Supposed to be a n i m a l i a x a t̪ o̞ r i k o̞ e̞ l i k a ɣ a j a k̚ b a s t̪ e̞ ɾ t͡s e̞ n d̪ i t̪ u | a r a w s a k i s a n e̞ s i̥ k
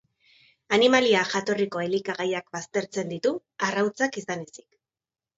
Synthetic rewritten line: a n i m a l i a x a t̪ o̞ r i k o̞ e̞ l i k a ɣ a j a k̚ b a s t̪ e̞ ɾ t͡s e̞ n d̪ i t̪ u | a r a w t͡s a k i s a n e̞ s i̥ k